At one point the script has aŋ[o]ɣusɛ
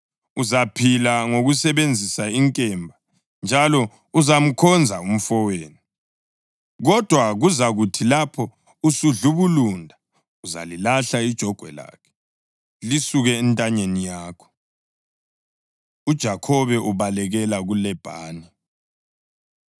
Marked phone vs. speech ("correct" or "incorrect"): correct